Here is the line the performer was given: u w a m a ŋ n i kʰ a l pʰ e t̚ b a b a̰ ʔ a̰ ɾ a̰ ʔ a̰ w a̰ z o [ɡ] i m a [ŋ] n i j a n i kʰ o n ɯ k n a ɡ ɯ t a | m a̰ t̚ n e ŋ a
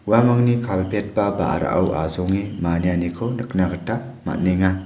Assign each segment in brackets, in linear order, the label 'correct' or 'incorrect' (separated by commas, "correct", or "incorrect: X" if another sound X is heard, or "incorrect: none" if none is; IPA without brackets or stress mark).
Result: incorrect: ŋ, incorrect: none